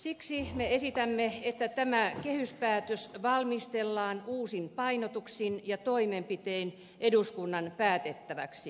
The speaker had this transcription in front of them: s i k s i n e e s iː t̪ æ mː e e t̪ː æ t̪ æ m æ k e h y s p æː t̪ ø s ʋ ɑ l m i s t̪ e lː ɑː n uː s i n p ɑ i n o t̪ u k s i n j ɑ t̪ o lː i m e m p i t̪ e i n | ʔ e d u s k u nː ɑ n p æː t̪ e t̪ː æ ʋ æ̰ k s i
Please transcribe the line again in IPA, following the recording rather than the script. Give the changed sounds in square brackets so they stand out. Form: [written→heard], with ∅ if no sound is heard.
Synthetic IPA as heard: s i k s i [n→m] e e s [iː→i] t̪ æ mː e e t̪ː æ t̪ æ m æ k e h y s p æː t̪ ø s ʋ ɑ l m i s t̪ e lː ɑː n uː s i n p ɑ i n o t̪ u k s i n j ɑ t̪ o [lː→∅] i m e m p i t̪ e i n | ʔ e d u s k u nː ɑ n p æː t̪ e t̪ː æ ʋ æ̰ k s i